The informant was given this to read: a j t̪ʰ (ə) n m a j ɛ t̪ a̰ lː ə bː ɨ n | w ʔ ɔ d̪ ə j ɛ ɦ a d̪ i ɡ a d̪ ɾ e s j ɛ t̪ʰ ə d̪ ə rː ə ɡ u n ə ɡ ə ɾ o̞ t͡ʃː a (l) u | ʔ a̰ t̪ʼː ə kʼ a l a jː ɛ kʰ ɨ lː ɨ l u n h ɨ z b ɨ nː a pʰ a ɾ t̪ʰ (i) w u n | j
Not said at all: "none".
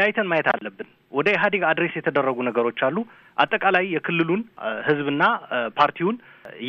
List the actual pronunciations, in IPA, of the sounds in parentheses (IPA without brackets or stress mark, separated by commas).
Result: ə, lː, i